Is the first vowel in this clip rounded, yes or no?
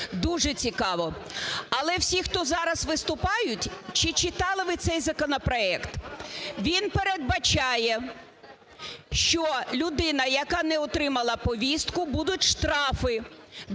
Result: yes